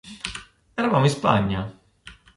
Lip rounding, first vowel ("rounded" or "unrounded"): unrounded